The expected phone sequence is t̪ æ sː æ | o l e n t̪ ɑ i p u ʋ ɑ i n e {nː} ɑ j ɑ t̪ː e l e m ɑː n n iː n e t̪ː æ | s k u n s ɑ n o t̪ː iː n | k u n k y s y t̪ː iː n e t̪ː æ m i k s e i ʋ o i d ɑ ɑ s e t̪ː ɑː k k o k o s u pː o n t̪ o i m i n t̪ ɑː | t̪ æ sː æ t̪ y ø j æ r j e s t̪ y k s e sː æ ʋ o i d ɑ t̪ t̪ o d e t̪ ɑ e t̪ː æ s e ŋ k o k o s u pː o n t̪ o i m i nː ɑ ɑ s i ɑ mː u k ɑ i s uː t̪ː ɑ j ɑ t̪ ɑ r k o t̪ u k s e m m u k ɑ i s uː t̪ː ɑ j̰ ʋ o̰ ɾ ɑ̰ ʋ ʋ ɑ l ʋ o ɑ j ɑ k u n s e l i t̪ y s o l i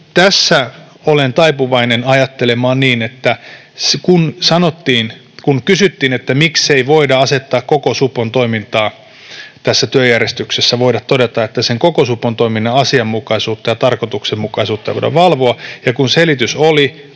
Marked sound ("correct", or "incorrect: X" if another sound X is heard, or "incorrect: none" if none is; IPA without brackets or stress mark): incorrect: n